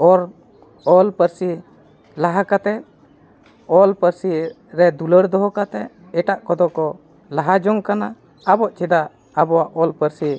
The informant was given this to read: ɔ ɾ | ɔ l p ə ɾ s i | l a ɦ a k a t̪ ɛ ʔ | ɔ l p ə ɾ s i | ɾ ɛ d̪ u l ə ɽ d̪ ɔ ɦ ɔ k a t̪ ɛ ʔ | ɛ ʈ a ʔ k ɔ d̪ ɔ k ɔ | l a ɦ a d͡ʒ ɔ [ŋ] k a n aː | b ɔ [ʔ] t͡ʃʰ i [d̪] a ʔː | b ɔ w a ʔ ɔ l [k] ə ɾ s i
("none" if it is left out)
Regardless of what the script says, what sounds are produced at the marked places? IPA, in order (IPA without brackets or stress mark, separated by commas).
ŋ, ʔ, d̪, p